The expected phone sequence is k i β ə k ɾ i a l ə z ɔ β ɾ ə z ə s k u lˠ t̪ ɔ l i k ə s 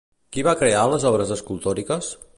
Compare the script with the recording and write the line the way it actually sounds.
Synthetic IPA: k i β a k ɾ e a l ə z ɔ β ɾ ə z ə s k u lˠ t̪ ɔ ɾ i k ə s